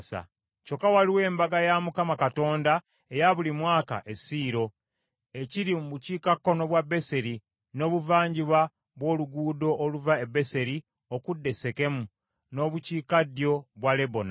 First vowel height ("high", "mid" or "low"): low